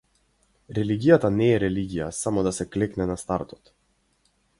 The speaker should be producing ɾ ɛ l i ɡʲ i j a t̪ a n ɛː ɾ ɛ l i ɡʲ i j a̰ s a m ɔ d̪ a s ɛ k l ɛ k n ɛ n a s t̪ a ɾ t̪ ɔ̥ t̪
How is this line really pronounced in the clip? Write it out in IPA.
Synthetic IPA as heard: ɾ ɛ l i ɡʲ i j a t̪ a n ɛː ɾ ɛ l i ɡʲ i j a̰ s a m ɔ d̪ a s ɛ k l ɛ k n ɛ n a s t̪ a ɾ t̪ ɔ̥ t̪

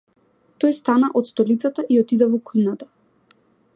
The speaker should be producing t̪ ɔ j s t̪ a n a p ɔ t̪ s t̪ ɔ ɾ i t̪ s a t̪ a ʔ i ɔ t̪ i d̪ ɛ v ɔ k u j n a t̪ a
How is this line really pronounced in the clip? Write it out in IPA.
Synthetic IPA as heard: t̪ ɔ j s t̪ a n a ʔ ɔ t̪ s t̪ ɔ l i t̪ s a t̪ a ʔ i ɔ t̪ i d̪ ɛ v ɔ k u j n a t̪ a

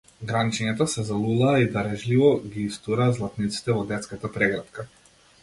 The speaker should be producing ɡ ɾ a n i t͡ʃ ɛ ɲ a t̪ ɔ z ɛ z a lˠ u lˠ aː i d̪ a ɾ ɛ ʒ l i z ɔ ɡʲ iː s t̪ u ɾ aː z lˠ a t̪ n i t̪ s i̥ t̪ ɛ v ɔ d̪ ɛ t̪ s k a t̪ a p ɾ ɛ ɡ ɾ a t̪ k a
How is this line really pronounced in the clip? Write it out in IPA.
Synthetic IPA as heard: ɡ ɾ a n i t͡ʃ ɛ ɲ a t̪ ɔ s ɛ z a lˠ u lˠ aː i d̪ a ɾ ɛ ʒ l i v ɔ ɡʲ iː s t̪ u ɾ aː z lˠ a t̪ n i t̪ s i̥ t̪ ɛ v ɔ d̪ ɛ t̪ s k a t̪ a p ɾ ɛ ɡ ɾ a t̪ k a

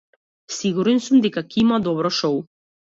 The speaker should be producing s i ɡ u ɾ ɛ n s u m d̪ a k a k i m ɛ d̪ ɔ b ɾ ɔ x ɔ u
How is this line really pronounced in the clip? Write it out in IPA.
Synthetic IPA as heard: s i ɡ u ɾ ɛ n s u m d̪ ɛ k a k i m a d̪ ɔ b ɾ ɔ ʃ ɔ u

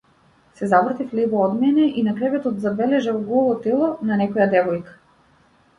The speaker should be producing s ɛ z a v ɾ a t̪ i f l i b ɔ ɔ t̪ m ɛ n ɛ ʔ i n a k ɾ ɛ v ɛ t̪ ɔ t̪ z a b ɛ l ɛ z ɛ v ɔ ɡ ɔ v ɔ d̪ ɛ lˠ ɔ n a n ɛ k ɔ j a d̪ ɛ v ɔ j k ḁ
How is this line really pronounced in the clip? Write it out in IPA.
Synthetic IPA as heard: s ɛ z a v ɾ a t̪ i f l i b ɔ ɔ d̪ m ɛ n ɛ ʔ i n a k ɾ ɛ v ɛ t̪ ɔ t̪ z a b ɛ l ɛ ʒ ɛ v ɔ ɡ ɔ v ɔ t̪ ɛ lˠ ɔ n a n ɛ k ɔ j a d̪ ɛ v ɔ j k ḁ

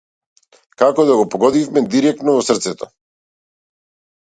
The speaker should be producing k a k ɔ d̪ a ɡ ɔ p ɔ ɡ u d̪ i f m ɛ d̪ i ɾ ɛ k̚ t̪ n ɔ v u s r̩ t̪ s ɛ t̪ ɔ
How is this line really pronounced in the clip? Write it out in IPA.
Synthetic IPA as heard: k a k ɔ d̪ a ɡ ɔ p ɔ ɡ ɔ d̪ i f m ɛ d̪ i ɾ ɛ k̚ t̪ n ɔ v ɔ s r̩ t̪ s ɛ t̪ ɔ

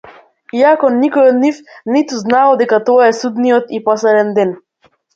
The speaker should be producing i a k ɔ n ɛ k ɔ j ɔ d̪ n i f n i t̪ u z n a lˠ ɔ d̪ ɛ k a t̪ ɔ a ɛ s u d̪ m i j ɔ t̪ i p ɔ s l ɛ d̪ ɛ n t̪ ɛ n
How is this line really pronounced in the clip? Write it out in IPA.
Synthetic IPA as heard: i a k ɔ n i k ɔ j ɔ d̪ n i f n i t̪ u z n a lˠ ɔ d̪ ɛ k a t̪ ɔ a ɛ s u d̪ n i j ɔ t̪ i p ɔ s l ɛ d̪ ɛ n d̪ ɛ n

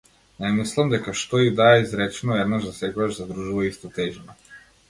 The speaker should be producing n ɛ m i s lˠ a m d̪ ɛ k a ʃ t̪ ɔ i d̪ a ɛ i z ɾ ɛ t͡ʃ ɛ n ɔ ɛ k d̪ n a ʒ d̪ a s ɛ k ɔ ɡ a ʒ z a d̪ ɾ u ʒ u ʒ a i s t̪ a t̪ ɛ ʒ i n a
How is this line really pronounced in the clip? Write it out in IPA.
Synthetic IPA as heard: n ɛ m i s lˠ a m d̪ ɛ k a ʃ t̪ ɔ i d̪ a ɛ i z ɾ ɛ t͡ʃ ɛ n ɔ ɛ d̪ n a ʒ d̪ a s ɛ k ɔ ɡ a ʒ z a d̪ ɾ u ʒ u v a i s t̪ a t̪ ɛ ʒ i n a

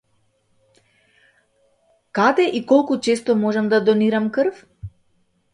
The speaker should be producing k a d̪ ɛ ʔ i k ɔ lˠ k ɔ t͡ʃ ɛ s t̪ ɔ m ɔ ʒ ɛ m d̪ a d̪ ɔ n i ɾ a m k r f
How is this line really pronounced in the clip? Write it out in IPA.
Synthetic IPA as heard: k a d̪ ɛ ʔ i k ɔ lˠ k u t͡ʃ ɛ s t̪ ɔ m ɔ ʒ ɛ m d̪ a d̪ ɔ n i ɾ a m k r f

